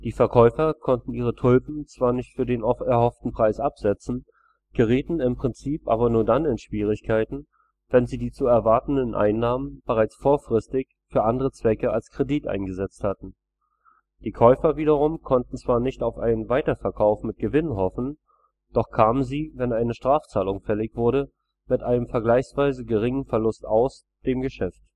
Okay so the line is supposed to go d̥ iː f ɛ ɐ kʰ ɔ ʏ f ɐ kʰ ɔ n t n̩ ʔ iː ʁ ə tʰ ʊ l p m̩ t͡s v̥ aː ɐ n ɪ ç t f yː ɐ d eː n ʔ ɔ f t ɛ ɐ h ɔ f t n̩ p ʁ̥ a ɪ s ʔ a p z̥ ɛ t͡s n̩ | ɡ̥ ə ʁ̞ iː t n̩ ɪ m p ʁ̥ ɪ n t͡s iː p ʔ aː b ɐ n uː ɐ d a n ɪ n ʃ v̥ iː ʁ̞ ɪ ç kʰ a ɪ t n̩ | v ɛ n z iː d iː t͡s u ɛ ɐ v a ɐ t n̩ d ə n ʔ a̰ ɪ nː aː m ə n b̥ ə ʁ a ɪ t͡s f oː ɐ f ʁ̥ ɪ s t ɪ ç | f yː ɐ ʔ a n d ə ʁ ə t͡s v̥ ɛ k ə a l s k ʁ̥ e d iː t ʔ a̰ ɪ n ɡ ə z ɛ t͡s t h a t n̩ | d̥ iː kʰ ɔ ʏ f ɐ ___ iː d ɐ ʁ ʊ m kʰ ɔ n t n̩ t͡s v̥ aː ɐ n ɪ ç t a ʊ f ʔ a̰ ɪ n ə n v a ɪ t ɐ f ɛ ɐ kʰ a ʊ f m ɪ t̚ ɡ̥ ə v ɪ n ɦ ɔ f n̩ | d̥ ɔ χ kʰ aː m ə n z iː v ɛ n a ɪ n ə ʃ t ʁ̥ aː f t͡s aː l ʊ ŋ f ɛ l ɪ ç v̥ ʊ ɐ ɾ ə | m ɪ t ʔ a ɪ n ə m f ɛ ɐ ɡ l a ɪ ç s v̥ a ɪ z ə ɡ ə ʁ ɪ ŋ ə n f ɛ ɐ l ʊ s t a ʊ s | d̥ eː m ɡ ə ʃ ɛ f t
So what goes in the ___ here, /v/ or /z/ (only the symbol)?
v